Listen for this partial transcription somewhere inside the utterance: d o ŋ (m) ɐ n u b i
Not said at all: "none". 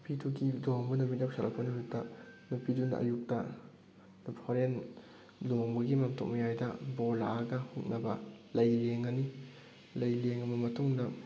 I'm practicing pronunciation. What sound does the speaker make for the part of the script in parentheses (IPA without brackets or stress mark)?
b